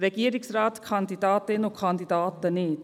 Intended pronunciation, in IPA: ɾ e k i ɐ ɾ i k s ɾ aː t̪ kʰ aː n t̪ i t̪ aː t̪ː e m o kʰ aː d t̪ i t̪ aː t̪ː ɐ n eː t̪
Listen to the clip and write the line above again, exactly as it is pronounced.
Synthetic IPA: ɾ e k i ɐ ɾ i k s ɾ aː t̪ kʰ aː n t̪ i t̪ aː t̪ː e n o kʰ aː n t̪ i t̪ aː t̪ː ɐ n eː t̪

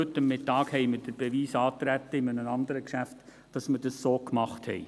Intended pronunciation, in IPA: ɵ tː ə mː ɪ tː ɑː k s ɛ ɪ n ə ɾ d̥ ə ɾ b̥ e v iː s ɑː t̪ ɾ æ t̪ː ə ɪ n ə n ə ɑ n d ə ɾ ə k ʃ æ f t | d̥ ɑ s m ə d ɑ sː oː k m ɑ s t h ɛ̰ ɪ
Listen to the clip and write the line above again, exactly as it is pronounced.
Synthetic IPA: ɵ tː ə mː ɪ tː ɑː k h ɛ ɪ m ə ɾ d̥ ə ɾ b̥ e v iː s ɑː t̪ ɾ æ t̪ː ə ɪ m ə n ə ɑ n d ə ɾ ə k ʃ æ f t | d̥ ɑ s m ə d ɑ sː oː k m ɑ χ t h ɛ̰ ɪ

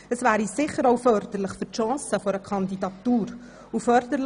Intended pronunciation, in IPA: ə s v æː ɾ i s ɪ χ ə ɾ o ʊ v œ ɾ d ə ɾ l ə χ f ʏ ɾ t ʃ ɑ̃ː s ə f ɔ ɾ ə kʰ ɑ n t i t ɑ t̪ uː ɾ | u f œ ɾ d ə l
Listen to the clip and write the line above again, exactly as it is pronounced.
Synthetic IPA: ə s v æː ɾ i s ɪ χ ə ɾ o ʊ f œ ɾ d ə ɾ l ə χ f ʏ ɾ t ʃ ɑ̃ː s ə f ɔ ɾ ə kʰ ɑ n d i d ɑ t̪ uː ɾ | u f œ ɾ d ə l

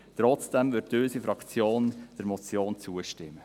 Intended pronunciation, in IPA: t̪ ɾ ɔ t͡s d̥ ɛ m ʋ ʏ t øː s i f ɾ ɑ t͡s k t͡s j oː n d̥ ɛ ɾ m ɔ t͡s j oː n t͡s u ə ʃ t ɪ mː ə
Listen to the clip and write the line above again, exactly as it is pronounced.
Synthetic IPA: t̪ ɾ ɔ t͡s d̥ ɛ m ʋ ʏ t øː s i f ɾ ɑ k t͡s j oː n d̥ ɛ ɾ m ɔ t͡s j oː n t͡s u ə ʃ t ɪ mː ə

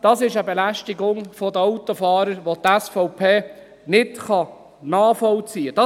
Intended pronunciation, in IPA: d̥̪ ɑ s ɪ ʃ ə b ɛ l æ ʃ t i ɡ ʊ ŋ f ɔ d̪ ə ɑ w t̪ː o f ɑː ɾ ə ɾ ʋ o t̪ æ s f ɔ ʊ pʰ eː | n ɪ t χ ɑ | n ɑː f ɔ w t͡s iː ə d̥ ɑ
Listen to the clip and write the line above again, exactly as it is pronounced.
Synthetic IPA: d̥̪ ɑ s ɪ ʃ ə b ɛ l æ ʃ t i ɡ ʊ ŋ f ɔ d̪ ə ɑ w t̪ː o f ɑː ɾ ə ɾ ʋ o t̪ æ s f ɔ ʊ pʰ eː | n ɪ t χ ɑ | n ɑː f ɔ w t͡s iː ə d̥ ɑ

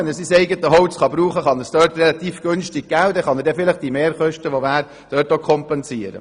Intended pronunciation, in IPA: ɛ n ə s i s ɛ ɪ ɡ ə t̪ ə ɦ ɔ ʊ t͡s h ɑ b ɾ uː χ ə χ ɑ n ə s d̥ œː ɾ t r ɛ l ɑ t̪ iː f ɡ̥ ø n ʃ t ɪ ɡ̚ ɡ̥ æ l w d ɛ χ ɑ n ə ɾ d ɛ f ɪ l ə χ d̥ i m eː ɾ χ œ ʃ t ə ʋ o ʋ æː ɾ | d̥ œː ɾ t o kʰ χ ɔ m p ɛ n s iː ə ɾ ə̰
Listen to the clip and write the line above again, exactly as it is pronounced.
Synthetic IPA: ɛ n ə s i s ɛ ɪ ɡ ə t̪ ə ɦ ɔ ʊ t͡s χ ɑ b ɾ uː χ ə χ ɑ n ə s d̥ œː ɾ t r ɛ l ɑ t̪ iː f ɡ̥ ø n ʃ t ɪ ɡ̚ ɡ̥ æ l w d ɛ χ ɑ n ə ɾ d ɛ f ɪ l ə χ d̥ i m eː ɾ χ œ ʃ t ə ʋ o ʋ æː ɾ | d̥ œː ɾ t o kʰ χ ɔ m p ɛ n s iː ə ɾ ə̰

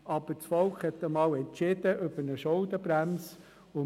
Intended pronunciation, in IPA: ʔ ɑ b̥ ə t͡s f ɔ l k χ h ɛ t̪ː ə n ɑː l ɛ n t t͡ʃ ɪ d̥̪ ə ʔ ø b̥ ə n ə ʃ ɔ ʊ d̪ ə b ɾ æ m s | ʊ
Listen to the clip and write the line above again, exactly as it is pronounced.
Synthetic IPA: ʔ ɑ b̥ ə t͡s f ɔ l k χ h ɛ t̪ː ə m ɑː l ɛ n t t͡ʃ ɪ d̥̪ ə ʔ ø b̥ ə n ə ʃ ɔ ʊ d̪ ə b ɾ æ m s | ʊ

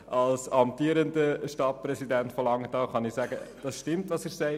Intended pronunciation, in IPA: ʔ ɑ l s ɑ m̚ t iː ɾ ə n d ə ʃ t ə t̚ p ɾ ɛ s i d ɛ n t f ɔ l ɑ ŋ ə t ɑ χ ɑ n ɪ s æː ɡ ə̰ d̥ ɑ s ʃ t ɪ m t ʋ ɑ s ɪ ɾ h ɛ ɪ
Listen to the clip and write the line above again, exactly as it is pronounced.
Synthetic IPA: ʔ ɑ l s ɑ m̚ t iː ɾ ə n d ə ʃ t ɑ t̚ p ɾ ɛ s i d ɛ n t f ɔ l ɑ ŋ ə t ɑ χ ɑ n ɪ s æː ɡ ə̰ d̥ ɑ s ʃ t ɪ m t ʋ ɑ s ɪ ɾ s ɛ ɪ

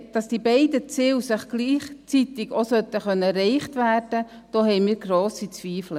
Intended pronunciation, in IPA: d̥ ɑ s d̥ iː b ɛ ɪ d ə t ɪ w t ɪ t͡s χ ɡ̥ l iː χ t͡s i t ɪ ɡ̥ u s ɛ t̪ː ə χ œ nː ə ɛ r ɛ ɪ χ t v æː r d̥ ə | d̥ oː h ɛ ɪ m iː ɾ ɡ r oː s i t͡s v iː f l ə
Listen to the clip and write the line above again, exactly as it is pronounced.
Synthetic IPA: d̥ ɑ s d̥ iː b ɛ ɪ d ə t͡s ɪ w s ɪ χ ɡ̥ l iː χ t͡s i t ɪ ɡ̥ o s œ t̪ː ə χ œ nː ə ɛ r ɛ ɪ χ t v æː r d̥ ə | d̥ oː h ɛ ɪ m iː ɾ ɡ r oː s i t͡s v iː f l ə

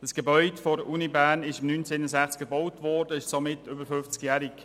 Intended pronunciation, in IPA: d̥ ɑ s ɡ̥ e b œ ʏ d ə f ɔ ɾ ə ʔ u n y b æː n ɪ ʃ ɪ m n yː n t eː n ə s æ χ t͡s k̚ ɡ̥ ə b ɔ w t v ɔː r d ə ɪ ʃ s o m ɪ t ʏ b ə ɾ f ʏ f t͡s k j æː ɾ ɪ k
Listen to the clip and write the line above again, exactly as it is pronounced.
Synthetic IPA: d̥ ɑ s ɡ̥ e b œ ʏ d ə f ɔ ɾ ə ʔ u n i b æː n ɪ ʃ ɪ m n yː n t͡s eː n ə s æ χ t͡s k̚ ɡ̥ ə b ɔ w t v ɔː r d ə ɪ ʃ s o m ɪ t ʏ b ə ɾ f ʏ f t͡s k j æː ɾ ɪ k

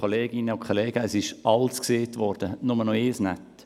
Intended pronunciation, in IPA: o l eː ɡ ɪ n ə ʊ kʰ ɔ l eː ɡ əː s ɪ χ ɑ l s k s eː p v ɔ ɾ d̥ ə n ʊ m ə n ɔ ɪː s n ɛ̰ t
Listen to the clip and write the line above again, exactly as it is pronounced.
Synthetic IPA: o l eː ɡ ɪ n ə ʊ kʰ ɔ l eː ɡ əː s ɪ ʃ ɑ l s k s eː t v ɔ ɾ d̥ ə n ʊ m ə n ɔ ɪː s n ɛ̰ t

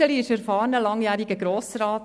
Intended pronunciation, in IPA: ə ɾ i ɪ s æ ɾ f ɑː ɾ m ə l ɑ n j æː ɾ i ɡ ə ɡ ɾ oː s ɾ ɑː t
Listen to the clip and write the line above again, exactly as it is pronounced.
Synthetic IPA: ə l i ɪ ʃ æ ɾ f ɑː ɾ n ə l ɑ ŋ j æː ɾ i ɡ ə ɡ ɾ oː s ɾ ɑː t

